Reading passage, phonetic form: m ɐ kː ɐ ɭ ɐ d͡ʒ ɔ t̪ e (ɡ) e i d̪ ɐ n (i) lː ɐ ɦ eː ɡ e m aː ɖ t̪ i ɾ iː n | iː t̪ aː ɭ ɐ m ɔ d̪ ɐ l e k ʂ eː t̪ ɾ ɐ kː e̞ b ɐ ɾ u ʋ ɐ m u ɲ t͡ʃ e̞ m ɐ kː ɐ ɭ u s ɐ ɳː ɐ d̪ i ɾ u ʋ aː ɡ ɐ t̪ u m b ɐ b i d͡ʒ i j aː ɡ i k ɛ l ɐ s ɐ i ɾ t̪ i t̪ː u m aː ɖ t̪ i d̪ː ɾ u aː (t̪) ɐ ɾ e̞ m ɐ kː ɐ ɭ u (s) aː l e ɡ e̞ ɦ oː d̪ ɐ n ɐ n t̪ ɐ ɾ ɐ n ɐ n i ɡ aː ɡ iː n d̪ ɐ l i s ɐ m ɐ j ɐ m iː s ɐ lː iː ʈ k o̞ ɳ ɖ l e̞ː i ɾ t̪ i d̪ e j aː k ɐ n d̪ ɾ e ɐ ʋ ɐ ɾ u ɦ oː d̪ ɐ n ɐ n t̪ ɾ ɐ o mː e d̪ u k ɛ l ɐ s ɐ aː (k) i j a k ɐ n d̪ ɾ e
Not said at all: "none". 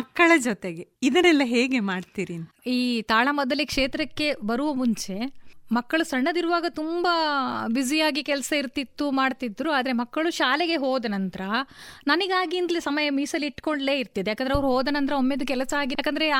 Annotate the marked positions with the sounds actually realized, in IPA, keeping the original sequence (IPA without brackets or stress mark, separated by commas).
ɡ, ɛ, d̪, ʃ, ɡ